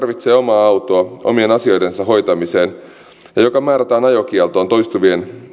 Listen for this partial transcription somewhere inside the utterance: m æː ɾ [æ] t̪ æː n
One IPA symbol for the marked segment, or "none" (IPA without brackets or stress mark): æ